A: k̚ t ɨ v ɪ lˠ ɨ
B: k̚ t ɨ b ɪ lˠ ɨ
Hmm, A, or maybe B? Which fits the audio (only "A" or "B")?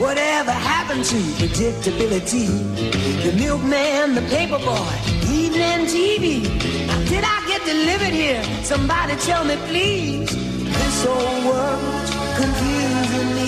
B